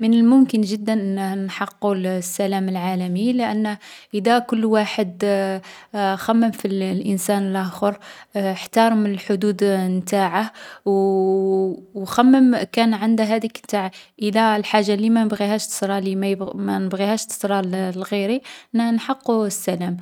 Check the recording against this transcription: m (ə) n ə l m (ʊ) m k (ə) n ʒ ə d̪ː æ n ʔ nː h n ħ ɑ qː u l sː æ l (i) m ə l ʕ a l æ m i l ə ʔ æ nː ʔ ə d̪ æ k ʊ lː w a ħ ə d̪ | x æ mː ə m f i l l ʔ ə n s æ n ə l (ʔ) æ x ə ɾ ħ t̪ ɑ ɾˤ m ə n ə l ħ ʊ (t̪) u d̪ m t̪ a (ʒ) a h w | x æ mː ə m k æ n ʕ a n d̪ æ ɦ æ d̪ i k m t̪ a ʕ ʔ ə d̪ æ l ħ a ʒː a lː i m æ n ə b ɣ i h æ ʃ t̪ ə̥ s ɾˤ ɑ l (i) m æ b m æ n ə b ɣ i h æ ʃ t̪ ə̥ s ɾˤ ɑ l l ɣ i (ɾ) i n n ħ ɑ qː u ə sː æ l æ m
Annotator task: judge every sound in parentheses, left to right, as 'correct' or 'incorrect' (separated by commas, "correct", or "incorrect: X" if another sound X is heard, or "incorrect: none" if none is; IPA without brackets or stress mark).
correct, correct, correct, incorrect: æ, correct, incorrect: d̪, incorrect: ʕ, correct, correct